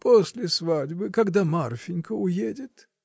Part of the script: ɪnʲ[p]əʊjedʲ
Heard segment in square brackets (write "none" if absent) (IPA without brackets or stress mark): k